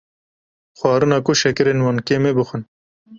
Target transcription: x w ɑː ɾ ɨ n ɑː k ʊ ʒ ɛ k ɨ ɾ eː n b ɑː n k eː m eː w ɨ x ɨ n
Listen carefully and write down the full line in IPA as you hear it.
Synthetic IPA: x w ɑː ɾ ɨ n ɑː k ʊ ʃ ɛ k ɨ ɾ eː n w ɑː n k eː m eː b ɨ x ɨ n